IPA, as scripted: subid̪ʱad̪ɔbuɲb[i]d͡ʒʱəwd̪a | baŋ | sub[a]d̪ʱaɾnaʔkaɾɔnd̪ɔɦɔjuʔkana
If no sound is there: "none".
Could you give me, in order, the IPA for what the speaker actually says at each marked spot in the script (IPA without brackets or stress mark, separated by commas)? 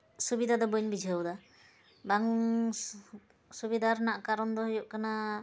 i, i